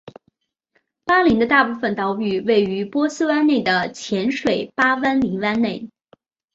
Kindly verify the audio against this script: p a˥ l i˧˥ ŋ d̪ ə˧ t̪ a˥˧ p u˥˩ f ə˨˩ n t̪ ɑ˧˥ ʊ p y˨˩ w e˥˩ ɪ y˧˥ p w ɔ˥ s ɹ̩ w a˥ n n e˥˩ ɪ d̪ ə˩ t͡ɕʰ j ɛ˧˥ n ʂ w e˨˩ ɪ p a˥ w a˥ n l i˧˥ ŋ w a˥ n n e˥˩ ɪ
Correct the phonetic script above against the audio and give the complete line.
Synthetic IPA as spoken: p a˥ l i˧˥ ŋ d̪ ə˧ t̪ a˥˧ p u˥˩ f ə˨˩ n t̪ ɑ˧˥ ʊ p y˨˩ w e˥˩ ɪ y˧˥ p w ɔ˥ s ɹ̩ w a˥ n n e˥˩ ɪ d̪ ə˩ t͡ɕʰ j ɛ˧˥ n ʂ w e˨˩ ɪ p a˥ w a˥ n l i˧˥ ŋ w a˥ n n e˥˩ ɪ